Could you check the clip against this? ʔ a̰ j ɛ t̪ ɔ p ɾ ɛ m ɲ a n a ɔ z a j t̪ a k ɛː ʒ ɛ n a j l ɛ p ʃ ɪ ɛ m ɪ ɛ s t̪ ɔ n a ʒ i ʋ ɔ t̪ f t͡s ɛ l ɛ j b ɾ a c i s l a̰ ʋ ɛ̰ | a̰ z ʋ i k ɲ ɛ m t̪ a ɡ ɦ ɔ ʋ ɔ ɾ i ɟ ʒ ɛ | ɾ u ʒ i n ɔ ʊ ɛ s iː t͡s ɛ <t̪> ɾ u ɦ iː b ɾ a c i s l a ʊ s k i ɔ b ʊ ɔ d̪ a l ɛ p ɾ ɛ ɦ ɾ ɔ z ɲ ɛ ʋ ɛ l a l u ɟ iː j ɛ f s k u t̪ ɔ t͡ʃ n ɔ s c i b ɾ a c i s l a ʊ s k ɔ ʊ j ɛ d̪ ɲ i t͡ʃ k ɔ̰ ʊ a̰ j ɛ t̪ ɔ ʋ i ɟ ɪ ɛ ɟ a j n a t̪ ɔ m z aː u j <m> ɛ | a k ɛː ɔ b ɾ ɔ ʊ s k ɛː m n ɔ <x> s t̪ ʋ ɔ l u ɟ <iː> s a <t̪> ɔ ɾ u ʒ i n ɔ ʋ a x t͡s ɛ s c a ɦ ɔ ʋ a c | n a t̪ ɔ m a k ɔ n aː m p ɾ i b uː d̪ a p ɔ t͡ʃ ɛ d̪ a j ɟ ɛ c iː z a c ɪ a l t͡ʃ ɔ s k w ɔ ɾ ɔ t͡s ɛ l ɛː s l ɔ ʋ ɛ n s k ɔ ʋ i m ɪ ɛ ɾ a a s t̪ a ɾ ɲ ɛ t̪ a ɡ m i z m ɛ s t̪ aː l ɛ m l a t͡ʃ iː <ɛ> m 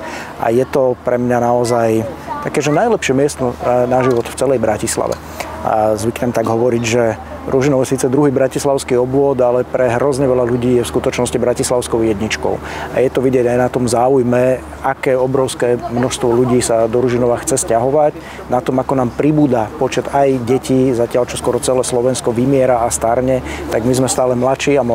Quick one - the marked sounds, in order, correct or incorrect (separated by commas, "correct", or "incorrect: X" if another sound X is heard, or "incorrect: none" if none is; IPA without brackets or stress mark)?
incorrect: d̪, correct, incorrect: ʃ, correct, incorrect: d̪, incorrect: a